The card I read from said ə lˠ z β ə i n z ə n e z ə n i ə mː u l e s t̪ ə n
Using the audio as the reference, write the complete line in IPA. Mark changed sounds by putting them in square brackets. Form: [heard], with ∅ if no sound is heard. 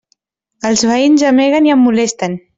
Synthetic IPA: ə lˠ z β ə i n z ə [m] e [ɣ] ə n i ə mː u l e s t̪ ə n